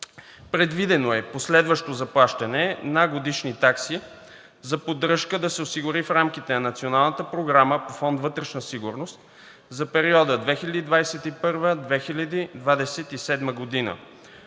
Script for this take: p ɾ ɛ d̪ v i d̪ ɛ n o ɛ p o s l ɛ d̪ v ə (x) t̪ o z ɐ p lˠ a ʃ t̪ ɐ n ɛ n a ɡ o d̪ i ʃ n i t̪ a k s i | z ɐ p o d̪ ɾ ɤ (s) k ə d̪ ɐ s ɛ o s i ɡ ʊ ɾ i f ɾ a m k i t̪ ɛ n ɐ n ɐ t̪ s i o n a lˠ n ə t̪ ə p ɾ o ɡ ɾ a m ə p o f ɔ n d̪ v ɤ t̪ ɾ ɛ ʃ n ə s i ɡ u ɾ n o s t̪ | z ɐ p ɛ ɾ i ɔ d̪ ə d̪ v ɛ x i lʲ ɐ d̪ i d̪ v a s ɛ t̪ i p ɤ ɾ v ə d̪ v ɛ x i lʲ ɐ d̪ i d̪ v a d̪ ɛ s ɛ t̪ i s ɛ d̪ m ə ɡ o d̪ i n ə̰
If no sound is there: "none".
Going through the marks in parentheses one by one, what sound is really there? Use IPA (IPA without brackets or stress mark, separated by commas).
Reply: ʃ, ʃ